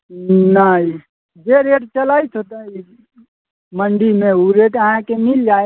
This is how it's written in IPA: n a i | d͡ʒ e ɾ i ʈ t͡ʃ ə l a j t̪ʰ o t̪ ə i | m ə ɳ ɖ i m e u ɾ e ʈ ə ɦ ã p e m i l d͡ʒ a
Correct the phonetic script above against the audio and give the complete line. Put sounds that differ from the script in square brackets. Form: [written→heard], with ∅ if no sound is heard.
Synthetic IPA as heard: n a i | d͡ʒ e ɾ [i→e] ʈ t͡ʃ ə l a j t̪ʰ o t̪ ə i | m ə ɳ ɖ i m e u ɾ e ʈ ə ɦ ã [p→k] e m i l d͡ʒ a